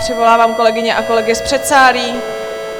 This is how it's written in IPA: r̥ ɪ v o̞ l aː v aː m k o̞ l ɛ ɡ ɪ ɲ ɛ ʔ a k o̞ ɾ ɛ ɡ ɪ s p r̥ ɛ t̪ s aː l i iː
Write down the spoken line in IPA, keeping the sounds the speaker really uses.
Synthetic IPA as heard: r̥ ɪ v o̞ l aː v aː m k o̞ l ɛ ɡ ɪ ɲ ɛ ʔ a k o̞ l ɛ ɡ ɪ s p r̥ ɛ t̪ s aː ɾ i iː